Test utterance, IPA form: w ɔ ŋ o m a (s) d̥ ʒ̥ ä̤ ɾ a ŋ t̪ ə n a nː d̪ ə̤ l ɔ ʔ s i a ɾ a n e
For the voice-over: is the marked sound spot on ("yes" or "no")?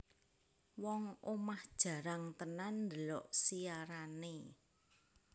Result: no